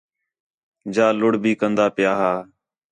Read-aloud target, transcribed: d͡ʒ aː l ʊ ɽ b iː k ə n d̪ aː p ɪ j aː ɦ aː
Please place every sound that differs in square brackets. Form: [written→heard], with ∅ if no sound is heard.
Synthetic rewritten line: d͡ʒ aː l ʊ ɽ b iː k ə n d̪ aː p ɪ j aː ɦ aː